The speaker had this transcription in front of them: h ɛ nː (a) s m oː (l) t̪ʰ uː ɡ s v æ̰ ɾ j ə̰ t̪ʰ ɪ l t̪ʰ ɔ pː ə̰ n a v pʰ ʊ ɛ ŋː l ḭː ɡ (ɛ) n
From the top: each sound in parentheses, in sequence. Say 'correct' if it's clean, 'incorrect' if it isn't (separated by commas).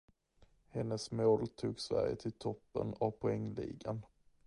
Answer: incorrect, correct, incorrect